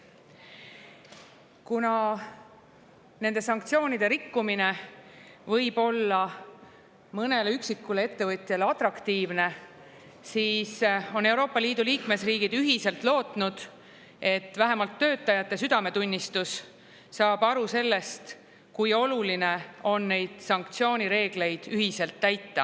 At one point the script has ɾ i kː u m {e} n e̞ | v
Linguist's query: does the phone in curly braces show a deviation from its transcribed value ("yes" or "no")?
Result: yes